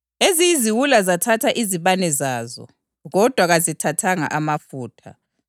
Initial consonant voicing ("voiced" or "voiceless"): voiced